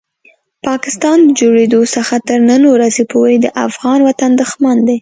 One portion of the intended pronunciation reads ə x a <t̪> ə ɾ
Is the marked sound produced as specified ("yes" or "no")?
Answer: yes